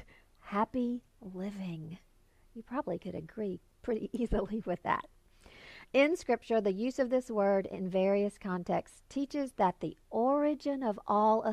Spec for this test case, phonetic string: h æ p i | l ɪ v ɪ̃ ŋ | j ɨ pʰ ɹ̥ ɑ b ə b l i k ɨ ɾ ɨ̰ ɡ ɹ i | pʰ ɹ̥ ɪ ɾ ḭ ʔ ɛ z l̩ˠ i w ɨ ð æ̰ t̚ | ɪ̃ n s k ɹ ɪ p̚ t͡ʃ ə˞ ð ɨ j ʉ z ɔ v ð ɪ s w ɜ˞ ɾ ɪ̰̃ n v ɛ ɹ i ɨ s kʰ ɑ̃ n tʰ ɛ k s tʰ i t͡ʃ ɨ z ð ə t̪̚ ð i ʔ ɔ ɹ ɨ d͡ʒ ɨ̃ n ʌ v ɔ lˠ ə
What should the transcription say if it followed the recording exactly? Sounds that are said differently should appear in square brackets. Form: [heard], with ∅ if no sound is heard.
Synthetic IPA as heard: h æ p i | l ɪ v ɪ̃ ŋ | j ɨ pʰ ɹ̥ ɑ b ə b l i k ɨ ɾ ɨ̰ ɡ ɹ i | pʰ ɹ̥ ɪ ɾ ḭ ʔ [i] z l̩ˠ i w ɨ ð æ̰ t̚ | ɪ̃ n s k ɹ ɪ p̚ t͡ʃ ə˞ ð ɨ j ʉ z [ʌ] v ð ɪ s w ɜ˞ ɾ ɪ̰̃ n v ɛ ɹ i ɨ s kʰ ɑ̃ n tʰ ɛ k s tʰ i t͡ʃ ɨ z ð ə t̪̚ ð i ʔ ɔ ɹ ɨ d͡ʒ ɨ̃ n ʌ v ɔ lˠ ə